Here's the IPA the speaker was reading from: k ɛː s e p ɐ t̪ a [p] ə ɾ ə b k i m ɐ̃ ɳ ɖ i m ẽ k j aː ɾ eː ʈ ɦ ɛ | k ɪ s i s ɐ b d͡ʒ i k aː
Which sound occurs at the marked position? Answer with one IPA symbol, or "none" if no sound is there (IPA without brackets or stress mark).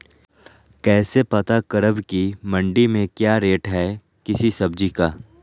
k